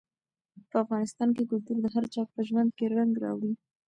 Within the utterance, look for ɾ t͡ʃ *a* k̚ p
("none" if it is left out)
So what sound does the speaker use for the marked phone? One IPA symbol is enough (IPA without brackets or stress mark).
ɑ